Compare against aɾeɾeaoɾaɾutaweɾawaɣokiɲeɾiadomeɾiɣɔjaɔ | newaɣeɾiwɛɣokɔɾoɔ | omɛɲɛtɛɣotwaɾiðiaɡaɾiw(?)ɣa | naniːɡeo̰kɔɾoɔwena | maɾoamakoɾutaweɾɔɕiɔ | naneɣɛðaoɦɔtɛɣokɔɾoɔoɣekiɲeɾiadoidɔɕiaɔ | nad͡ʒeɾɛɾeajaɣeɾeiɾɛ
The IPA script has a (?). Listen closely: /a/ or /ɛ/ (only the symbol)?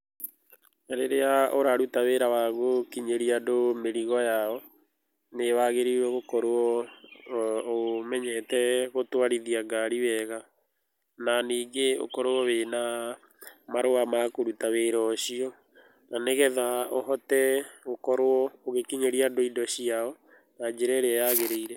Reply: ɛ